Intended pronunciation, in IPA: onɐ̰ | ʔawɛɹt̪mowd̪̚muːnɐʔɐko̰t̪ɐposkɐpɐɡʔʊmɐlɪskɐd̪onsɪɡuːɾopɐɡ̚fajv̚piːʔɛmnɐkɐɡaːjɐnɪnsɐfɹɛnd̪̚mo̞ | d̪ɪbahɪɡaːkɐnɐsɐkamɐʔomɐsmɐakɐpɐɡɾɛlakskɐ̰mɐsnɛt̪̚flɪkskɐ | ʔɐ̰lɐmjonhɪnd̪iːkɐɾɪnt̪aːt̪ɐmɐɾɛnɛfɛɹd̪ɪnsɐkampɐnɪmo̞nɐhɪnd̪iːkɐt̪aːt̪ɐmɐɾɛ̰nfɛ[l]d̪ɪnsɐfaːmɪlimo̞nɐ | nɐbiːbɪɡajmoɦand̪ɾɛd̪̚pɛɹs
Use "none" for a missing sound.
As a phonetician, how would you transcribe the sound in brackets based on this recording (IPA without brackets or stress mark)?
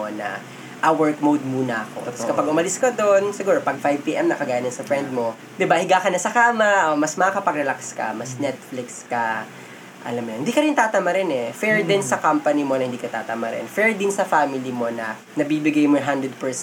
ɹ